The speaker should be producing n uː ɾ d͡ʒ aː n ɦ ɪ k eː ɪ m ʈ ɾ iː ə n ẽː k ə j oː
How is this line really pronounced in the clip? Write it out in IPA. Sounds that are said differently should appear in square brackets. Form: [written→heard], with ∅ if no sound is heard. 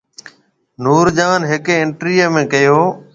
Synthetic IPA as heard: n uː ɾ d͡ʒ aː n ɦ ɪ k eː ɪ [m→ɳ] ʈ ɾ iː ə [n→m] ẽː k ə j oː